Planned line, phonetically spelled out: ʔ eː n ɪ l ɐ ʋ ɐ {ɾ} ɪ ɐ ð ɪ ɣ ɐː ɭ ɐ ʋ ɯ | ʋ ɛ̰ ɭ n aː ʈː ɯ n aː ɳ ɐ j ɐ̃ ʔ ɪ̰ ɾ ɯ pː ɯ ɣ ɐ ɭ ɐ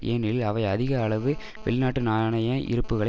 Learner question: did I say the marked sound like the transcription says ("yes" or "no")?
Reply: no